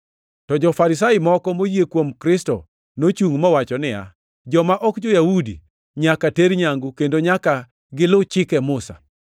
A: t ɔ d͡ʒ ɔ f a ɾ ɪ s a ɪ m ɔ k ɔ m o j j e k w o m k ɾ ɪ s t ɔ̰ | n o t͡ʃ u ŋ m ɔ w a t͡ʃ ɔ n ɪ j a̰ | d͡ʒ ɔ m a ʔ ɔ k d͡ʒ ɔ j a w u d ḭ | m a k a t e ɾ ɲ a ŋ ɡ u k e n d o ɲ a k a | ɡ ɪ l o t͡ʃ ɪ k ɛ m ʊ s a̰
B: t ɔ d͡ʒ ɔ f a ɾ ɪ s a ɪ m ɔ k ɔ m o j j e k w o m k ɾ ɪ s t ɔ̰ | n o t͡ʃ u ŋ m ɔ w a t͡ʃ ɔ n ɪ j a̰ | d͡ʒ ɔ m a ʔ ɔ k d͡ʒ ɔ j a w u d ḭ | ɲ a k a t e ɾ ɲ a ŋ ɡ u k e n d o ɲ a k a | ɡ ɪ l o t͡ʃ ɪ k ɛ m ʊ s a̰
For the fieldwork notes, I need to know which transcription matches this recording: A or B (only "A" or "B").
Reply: B